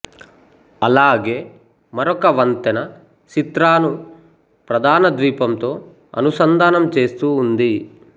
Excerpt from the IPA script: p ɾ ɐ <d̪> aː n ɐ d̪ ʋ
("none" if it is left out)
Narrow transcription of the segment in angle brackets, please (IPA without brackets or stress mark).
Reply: d̪